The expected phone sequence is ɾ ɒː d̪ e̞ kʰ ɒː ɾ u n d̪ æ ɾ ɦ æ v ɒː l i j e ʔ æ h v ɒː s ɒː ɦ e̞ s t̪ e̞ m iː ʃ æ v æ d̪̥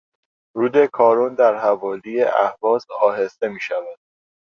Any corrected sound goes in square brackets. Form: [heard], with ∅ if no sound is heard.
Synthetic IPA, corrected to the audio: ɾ [uː] d̪ e̞ kʰ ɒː ɾ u n d̪ æ ɾ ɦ æ v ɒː l i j e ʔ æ h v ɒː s ɒː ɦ e̞ s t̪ e̞ m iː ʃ æ v æ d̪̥